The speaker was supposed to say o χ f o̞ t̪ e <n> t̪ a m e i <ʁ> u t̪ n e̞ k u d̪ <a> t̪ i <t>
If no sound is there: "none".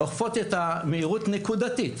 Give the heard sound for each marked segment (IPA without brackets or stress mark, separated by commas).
none, ʁ, a, t